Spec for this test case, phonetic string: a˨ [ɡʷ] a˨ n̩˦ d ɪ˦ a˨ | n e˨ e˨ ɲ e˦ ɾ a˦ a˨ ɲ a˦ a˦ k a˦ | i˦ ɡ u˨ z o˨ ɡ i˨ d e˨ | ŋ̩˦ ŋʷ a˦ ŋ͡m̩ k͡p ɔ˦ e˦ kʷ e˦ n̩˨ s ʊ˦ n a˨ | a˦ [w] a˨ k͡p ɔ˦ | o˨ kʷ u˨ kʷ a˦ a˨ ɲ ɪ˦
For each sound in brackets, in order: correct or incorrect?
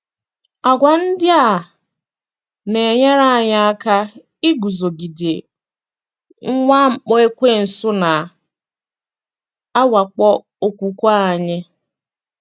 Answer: correct, correct

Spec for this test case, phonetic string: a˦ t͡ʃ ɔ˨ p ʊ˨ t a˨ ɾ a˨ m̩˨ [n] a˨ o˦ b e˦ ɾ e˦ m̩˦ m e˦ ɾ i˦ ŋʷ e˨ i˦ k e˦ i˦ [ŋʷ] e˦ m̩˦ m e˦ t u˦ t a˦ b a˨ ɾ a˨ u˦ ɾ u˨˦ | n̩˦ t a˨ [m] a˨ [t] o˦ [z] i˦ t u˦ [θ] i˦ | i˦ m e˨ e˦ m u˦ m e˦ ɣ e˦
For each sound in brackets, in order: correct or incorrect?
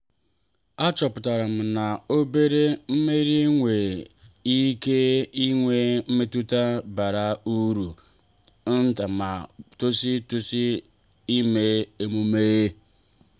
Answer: correct, correct, correct, correct, incorrect: s, incorrect: s

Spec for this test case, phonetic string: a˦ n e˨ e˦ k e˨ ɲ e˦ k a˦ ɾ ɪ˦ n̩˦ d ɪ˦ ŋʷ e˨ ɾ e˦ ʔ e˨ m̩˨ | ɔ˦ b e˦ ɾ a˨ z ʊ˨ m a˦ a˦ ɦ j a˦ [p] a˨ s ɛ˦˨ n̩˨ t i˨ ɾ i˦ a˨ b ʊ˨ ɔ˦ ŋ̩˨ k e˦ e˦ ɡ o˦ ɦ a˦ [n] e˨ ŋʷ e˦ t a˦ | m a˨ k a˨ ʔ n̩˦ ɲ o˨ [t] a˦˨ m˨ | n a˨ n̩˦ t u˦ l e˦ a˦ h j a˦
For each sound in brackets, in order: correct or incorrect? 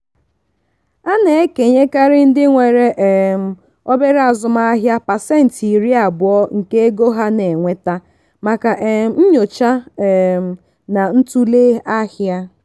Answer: correct, correct, incorrect: t͡ʃ

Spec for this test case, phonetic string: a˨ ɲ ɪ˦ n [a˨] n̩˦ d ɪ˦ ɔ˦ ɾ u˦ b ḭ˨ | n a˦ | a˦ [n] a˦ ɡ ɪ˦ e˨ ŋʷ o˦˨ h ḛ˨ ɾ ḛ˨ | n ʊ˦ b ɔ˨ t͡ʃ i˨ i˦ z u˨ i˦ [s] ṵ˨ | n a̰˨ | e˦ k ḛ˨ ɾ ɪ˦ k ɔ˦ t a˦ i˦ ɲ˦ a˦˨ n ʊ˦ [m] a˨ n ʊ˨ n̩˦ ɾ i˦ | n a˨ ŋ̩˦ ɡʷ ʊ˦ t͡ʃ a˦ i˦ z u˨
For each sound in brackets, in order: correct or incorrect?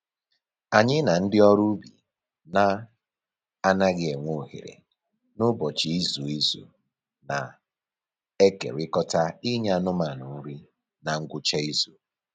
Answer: correct, correct, incorrect: z, correct

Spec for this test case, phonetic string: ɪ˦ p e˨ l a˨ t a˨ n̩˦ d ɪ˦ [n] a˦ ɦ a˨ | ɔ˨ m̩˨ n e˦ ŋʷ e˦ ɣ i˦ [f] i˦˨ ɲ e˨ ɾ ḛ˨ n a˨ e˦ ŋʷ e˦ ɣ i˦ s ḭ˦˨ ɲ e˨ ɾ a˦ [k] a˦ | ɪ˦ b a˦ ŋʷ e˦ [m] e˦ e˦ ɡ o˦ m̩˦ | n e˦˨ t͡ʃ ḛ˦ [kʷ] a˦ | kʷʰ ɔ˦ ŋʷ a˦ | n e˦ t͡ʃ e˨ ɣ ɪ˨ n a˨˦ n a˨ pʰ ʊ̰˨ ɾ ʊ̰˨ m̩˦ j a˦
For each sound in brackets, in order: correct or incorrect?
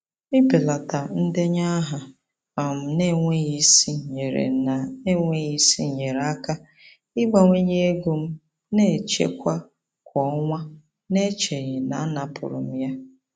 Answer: incorrect: ɲ, incorrect: s, correct, incorrect: ɲ, correct

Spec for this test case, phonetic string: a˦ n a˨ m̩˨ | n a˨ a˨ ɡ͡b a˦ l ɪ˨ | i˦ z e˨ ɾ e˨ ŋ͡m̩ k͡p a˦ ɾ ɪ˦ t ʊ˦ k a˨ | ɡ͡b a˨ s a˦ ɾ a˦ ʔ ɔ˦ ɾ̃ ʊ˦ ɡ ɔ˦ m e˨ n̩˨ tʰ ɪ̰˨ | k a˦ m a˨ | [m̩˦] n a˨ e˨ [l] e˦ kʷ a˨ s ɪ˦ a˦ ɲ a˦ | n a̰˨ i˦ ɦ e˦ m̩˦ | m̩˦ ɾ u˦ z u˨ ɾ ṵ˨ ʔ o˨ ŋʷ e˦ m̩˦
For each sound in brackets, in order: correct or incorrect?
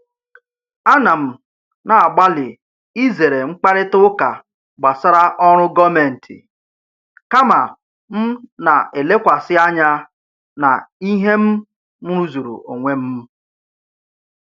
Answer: correct, correct

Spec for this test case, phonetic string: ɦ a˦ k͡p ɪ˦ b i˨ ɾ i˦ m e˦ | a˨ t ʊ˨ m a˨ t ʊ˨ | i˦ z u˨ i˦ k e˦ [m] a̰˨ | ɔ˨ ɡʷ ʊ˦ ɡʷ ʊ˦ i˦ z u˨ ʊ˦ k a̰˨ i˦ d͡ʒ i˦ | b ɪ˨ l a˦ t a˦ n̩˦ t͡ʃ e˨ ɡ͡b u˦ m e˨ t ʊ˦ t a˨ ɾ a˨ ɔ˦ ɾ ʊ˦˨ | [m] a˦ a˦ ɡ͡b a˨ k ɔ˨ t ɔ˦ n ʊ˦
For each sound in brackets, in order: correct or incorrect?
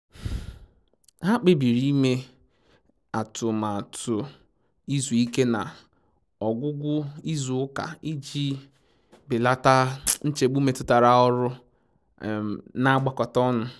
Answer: incorrect: n, incorrect: n

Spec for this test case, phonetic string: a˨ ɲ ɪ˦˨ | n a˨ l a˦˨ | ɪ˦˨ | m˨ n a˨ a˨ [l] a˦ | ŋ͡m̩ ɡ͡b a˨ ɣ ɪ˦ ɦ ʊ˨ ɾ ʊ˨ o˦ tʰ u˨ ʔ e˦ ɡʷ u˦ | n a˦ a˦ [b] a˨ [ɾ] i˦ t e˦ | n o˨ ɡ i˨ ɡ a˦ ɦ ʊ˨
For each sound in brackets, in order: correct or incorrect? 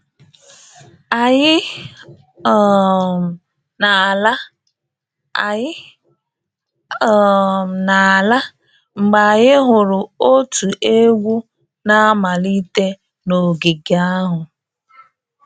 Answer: correct, incorrect: m, incorrect: l

